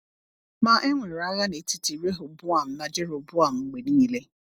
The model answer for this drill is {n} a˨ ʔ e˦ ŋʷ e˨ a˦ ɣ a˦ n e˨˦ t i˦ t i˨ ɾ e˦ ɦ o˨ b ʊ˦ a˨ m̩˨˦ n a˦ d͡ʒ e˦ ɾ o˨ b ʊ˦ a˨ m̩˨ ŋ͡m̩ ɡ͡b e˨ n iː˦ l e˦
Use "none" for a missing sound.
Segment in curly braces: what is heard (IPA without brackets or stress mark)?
m